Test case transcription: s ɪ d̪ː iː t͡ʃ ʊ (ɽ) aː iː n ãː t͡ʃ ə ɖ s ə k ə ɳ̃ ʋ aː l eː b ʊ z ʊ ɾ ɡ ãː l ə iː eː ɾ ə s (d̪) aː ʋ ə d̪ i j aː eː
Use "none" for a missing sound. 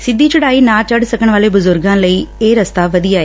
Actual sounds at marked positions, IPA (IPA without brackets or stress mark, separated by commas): ɽ, t̪